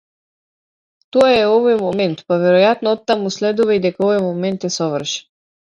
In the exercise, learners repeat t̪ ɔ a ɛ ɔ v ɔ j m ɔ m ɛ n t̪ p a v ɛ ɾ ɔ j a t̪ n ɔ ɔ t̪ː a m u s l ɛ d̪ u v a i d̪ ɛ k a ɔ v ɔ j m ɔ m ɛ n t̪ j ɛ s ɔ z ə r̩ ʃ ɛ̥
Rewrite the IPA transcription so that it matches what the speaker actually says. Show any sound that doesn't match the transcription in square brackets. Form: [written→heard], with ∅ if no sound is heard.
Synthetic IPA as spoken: t̪ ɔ a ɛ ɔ v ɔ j m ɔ m ɛ n t̪ p a v ɛ ɾ ɔ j a t̪ n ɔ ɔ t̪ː a m u s l ɛ d̪ u v a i d̪ ɛ k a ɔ v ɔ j m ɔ m ɛ n t̪ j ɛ s ɔ [z→v] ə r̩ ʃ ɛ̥